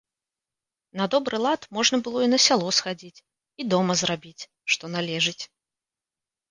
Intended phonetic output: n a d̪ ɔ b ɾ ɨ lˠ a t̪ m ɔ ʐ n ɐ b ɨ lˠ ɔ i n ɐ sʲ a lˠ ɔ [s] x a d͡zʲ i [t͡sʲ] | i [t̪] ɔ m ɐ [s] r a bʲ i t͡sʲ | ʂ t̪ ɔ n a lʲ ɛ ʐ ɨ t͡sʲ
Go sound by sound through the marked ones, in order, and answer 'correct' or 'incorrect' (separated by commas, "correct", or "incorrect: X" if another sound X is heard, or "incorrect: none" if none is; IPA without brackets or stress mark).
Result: correct, correct, incorrect: d̪, incorrect: z